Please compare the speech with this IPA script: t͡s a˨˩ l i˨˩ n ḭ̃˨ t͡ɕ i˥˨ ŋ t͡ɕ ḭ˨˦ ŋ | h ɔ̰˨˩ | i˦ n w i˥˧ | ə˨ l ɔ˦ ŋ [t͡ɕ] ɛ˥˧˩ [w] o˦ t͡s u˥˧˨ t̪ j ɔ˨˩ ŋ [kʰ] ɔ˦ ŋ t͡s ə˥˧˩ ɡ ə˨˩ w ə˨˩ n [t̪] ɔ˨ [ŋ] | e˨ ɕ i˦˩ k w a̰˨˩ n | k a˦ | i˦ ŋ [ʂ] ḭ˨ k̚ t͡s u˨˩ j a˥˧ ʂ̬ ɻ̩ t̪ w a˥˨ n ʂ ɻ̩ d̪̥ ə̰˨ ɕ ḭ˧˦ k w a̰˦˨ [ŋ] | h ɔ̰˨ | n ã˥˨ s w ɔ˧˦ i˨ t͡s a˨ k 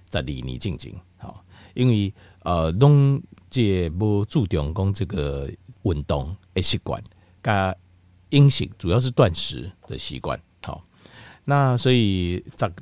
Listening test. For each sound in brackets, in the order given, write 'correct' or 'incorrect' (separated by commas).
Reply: correct, incorrect, incorrect, correct, correct, incorrect, incorrect